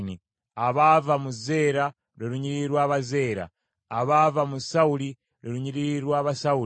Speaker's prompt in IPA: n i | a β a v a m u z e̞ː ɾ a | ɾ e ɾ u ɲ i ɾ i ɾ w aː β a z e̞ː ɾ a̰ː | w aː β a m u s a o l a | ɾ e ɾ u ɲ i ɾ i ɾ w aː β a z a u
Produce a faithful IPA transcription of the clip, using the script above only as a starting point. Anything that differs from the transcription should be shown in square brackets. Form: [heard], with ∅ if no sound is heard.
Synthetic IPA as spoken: n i | a β a v a m u z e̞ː ɾ a | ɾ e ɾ u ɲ i ɾ i ɾ w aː β a z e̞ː ɾ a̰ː | [β] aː [v] a m u s a [u] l [i] | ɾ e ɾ u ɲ i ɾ i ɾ w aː β a [s] a u